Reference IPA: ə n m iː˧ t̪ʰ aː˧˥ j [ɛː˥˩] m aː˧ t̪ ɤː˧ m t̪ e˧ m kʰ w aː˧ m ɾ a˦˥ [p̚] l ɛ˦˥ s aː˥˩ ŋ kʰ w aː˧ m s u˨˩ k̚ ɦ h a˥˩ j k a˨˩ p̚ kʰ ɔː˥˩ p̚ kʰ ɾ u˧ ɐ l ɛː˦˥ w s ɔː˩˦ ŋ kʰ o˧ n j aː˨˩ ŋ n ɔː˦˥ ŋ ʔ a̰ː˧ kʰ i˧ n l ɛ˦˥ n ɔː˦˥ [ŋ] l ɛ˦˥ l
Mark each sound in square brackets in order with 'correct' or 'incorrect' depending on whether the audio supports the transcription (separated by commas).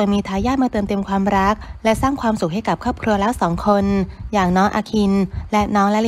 incorrect, incorrect, correct